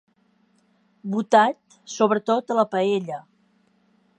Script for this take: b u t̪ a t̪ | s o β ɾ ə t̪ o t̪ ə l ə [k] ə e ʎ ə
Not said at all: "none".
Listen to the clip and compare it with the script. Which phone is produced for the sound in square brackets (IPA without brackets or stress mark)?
p